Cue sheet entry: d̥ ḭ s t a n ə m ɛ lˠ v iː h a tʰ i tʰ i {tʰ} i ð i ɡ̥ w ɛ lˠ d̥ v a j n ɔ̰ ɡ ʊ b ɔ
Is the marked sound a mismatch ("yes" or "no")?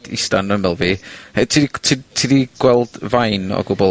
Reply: no